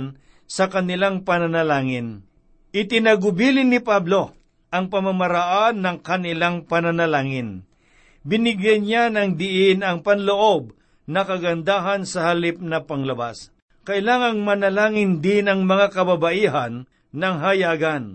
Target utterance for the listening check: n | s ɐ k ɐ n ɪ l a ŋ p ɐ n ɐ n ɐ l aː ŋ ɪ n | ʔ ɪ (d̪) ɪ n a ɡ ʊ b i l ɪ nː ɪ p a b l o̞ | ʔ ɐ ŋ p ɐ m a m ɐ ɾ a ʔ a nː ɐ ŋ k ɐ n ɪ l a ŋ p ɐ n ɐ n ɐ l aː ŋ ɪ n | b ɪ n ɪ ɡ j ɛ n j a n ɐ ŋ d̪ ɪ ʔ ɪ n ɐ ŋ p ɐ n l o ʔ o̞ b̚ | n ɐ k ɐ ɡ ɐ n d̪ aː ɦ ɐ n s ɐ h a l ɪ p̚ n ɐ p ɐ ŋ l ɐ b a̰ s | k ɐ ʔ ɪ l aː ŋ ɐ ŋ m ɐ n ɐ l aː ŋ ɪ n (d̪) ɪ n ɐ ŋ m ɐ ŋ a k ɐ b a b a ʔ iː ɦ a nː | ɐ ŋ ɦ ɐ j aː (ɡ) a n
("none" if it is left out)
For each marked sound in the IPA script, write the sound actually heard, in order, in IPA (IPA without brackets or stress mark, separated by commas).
t̪, d̪, ɡ